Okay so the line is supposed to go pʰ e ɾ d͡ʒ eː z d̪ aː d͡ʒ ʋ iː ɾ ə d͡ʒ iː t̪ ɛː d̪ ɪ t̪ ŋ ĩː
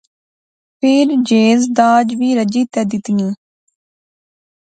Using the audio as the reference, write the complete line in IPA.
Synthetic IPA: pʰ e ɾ d͡ʒ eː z d̪ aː d͡ʒ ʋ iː ɾ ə d͡ʒ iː t̪ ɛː d̪ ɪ t̪ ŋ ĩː